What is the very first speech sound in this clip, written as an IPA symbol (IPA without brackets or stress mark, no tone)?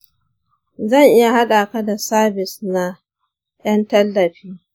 z